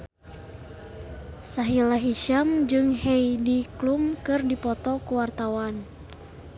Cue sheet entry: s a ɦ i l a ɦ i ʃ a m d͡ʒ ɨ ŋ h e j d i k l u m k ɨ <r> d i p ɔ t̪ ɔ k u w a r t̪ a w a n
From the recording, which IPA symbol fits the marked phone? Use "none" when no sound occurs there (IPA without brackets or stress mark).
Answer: r